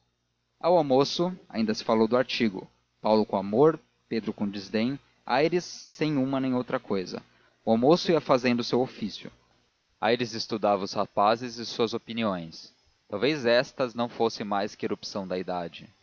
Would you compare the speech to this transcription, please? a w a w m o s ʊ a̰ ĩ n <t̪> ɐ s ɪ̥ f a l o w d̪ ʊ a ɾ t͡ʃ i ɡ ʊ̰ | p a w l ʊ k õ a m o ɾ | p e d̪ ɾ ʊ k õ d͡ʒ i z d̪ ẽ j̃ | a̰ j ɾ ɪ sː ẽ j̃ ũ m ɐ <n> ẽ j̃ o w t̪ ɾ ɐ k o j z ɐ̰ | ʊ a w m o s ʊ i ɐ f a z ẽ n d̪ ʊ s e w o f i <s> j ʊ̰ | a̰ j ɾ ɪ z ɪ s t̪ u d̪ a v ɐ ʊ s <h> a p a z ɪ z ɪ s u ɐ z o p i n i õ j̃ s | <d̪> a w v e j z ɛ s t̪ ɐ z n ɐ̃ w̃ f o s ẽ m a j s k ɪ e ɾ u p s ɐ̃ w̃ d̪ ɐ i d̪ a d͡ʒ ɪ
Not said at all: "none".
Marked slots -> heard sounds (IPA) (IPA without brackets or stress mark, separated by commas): d̪, n, s, h, t̪